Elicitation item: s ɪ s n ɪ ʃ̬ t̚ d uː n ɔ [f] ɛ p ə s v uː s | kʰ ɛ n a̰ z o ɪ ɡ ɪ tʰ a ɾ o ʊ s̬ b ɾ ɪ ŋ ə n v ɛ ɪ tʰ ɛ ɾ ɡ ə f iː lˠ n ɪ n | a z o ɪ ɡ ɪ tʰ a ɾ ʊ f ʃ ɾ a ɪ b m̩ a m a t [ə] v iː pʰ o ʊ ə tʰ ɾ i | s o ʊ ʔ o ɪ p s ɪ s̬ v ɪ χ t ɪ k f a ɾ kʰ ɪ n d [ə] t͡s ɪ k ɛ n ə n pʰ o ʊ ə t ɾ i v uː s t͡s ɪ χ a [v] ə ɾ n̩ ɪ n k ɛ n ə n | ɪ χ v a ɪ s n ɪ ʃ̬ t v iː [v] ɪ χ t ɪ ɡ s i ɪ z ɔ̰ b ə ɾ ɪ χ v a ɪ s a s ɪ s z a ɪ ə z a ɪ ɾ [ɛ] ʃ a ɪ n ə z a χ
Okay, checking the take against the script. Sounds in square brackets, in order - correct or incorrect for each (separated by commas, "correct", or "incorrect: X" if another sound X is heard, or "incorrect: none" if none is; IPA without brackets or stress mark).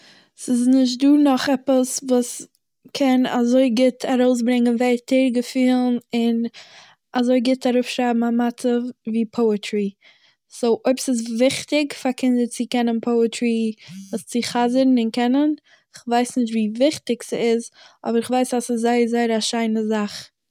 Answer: incorrect: χ, correct, correct, incorrect: z, correct, incorrect: a